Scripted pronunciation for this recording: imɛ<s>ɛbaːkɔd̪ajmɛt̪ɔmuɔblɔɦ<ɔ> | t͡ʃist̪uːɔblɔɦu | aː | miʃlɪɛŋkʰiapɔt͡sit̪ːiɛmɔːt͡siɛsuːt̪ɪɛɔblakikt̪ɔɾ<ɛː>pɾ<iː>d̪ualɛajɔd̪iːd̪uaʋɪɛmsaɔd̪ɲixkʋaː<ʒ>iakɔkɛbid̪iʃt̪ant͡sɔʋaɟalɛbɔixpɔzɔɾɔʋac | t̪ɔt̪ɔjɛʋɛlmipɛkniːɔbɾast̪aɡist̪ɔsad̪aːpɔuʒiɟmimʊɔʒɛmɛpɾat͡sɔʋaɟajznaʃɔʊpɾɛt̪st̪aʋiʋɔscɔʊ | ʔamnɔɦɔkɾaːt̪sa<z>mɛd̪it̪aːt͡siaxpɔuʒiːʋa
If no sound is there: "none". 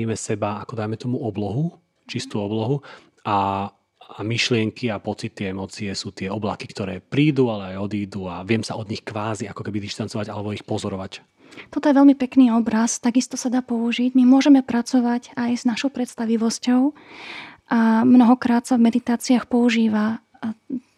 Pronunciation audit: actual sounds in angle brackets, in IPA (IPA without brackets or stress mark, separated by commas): s, u, ɛː, iː, z, v